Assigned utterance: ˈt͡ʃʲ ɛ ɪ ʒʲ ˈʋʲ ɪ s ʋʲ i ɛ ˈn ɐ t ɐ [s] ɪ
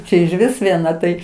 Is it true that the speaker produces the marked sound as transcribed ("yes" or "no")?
no